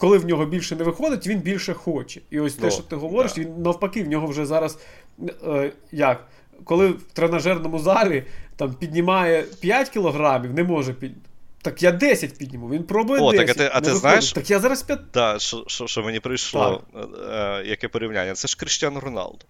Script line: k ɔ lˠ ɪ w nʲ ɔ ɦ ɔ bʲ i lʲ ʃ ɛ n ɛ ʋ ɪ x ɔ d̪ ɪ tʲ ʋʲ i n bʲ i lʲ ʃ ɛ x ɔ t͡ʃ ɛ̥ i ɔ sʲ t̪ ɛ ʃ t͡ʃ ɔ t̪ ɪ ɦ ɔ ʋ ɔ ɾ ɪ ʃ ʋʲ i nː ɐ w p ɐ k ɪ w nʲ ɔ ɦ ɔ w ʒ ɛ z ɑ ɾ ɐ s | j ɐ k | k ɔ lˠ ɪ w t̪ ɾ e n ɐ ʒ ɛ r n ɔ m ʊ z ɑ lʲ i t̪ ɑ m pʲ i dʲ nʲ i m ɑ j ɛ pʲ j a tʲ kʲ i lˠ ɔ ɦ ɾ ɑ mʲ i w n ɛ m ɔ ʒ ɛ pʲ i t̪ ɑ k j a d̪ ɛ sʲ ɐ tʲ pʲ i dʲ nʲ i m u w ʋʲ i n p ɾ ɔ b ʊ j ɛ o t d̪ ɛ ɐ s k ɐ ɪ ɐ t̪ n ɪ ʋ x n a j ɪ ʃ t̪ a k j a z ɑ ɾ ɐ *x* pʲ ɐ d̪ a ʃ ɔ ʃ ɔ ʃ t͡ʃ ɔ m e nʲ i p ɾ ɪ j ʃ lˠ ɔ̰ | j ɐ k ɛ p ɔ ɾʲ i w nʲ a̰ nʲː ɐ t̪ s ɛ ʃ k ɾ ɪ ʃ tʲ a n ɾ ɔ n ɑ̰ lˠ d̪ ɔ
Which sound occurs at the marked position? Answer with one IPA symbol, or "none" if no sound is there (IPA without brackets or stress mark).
s